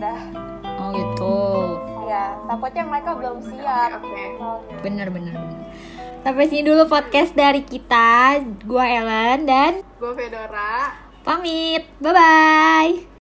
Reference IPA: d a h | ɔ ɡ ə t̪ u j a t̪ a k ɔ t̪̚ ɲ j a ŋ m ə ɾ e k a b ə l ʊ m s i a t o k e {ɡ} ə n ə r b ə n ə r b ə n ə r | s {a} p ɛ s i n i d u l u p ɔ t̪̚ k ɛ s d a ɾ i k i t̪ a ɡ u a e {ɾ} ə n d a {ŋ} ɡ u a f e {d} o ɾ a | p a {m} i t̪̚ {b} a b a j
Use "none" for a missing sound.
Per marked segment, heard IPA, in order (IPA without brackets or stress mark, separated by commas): b, a, l, n, d, m, b